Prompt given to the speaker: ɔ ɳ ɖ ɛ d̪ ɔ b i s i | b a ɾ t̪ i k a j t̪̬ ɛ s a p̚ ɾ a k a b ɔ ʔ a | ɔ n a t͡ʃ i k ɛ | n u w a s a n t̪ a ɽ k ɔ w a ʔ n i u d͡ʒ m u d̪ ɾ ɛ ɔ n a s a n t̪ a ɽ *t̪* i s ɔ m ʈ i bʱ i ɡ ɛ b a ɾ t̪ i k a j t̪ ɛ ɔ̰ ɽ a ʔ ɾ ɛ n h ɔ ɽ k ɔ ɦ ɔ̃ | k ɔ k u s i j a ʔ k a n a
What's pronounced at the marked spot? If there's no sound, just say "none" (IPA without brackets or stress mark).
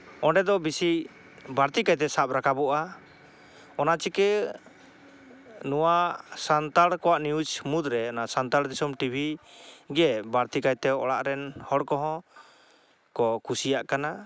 d̪